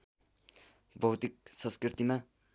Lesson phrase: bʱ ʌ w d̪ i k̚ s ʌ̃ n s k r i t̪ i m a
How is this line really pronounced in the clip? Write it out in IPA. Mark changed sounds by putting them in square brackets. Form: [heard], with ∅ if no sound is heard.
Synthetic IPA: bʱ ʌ w [t̪] i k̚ s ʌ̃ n s k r i t̪ i m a